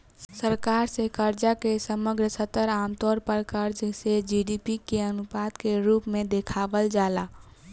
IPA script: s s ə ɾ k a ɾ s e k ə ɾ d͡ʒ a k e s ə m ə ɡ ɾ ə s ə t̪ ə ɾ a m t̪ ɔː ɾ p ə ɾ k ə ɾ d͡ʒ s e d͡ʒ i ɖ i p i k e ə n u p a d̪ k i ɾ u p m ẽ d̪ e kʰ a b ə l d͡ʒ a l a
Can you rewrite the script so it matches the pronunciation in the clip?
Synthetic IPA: s s ə ɾ k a ɾ s e k ə ɾ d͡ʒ a k e s ə m ə ɡ ɾ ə s ə t̪ ə ɾ a m t̪ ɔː ɾ p ə ɾ k ə ɾ d͡ʒ s e d͡ʒ i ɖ i p i k e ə n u p a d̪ k e ɾ u p m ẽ d̪ e kʰ a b ə l d͡ʒ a l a

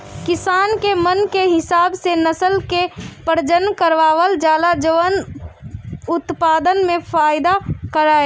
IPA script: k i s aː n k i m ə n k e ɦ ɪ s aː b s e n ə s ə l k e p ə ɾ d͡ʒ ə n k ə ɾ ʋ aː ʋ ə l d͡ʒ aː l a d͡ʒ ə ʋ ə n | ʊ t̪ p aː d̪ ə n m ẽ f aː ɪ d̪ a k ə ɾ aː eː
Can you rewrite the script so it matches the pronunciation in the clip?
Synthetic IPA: k ɪ s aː n k e m ə n k e ɦ ɪ s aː b s e n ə s ə l k e p ə ɾ d͡ʒ ə n k ə ɾ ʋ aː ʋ ə l d͡ʒ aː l a d͡ʒ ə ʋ ə n | ʊ t̪ p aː d̪ ə n m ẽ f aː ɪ d̪ a k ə ɾ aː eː

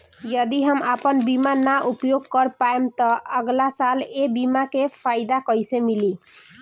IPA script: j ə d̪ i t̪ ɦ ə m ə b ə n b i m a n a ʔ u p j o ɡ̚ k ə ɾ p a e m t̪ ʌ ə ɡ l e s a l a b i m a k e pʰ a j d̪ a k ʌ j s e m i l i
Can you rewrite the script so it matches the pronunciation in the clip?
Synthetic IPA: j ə d̪ i ɦ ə m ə p ə n b i m a n a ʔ u p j o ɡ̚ k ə ɾ p a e m t̪ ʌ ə ɡ l a s a l e b i m a k e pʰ a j d̪ a k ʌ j s e m i l i

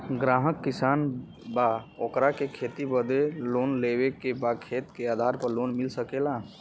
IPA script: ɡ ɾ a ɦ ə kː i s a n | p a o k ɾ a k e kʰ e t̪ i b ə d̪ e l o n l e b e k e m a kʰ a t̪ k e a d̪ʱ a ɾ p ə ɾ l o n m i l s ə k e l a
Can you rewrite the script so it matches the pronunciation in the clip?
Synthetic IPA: ɡ ɾ a ɦ ə kː i s a n | b a o k ɾ a k e kʰ e t̪ i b ə d̪ e l o n l e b e k e b a kʰ e t̪ k e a d̪ʱ a ɾ p ə ɾ l o n m i l s ə k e l a

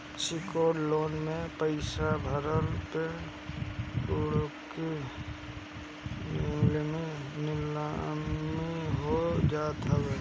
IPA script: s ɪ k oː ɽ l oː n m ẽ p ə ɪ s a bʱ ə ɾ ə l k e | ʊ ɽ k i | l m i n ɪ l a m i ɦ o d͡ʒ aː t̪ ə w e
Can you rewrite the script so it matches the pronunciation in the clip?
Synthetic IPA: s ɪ k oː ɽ l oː n m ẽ p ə ɪ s a bʱ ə ɾ ə l p e | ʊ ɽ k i | l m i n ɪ l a m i ɦ o d͡ʒ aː t̪ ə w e

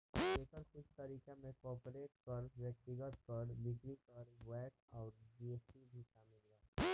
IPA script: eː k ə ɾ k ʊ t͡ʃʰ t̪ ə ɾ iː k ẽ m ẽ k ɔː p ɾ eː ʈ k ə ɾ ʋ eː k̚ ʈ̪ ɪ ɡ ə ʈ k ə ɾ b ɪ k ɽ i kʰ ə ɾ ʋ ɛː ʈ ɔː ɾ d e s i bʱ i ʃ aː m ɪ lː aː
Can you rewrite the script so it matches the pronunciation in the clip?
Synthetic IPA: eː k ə ɾ k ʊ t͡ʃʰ t̪ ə ɾ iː k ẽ m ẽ k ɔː p ɾ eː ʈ k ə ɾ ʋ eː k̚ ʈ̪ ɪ ɡ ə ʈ k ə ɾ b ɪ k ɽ i k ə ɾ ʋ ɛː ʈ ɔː ɾ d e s i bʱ i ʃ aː m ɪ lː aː

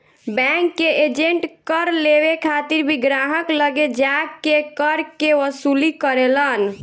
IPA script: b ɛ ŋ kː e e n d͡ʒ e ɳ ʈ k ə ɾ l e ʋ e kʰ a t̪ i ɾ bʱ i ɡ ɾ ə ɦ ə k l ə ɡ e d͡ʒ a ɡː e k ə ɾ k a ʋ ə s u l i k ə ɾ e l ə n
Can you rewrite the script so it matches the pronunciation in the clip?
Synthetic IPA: b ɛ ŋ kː e e d͡ʒ e ɳ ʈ k ə ɾ l e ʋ e kʰ a t̪ i ɾ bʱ i ɡ ɾ a ɦ ə k l ə ɡ e d͡ʒ a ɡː e k ə ɾ k e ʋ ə s u l i k ə ɾ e l ə n

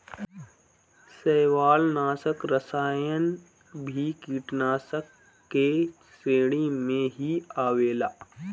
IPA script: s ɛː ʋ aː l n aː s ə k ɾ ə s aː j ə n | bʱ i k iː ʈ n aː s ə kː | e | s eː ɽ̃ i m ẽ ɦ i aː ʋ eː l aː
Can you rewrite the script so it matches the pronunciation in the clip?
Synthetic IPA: s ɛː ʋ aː l n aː s ə k ɾ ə s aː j ə n | bʱ i k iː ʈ n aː s ə kː | e | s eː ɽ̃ i m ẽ ɦ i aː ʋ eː l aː

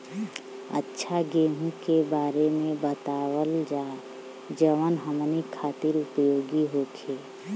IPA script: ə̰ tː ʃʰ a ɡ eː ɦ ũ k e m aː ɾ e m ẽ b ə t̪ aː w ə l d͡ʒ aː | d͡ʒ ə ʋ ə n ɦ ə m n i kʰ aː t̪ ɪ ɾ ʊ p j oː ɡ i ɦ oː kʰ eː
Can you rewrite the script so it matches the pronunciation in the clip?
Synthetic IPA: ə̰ tː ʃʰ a ɡ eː ɦ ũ k e b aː ɾ e m ẽ b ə t̪ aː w ə l d͡ʒ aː | d͡ʒ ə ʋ ə n ɦ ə m n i kʰ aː t̪ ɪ ɾ ʊ p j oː ɡ i ɦ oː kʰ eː

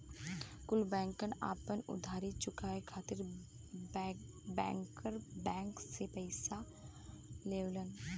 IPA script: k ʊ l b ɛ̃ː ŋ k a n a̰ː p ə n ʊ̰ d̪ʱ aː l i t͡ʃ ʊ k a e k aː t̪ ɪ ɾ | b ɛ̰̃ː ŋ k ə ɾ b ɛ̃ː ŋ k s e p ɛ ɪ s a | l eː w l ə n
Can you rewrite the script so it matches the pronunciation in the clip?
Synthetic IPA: k ʊ l b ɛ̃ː ŋ k ə n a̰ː p ə n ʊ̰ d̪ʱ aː ɾ i t͡ʃ ʊ k a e kʰ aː t̪ ɪ ɾ | b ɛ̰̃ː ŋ k ə ɾ b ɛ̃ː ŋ k s e p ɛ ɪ s a | l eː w l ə n

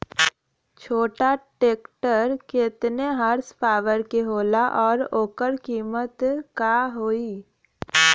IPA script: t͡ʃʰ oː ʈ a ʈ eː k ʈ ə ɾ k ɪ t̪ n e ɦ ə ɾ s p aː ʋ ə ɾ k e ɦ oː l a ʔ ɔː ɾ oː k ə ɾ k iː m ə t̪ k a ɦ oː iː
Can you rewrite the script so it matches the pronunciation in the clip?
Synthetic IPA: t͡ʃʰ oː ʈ a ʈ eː k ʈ ə ɾ k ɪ t̪ n e ɦ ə ɾ s p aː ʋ ə ɾ k e ɦ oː l a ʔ ɔː ɾ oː k ə ɾ k iː m ə t̪ k a ɦ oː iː

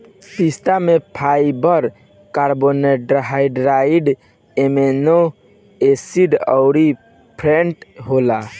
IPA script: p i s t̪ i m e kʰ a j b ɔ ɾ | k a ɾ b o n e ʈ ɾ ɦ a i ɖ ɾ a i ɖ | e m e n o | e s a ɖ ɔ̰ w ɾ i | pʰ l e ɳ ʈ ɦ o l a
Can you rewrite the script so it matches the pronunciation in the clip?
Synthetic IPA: p i s t̪ a m e pʰ a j b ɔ ɾ | k a ɾ b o n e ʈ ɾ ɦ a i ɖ ɾ a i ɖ | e m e n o | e s i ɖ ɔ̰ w ɾ i | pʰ ɾ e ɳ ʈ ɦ o l a

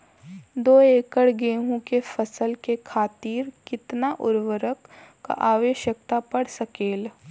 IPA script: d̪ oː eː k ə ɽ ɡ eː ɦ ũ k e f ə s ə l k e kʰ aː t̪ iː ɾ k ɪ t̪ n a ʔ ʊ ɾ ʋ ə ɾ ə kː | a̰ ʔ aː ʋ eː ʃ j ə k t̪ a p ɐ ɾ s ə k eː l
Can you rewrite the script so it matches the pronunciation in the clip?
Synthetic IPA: d̪ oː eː k ə ɽ ɡ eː ɦ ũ k e f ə s ə l k e kʰ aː t̪ iː ɾ k ɪ t̪ n a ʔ ʊ ɾ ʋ ə ɾ ə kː | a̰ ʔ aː ʋ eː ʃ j ə k t̪ a p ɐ ɽ s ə k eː l

